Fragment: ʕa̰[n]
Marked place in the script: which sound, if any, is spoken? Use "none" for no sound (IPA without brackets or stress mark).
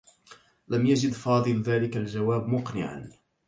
n